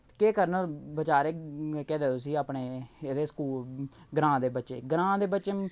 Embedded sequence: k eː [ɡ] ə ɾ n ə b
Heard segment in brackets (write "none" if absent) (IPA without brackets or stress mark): k